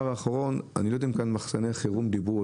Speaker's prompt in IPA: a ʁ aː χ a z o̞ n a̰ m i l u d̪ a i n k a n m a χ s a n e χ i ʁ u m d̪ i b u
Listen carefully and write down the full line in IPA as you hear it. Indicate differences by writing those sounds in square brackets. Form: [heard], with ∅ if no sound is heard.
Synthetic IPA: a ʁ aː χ a [ʁ] o̞ n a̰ [n] i l [o] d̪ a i [m] k a n m a χ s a n e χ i ʁ u m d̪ i b u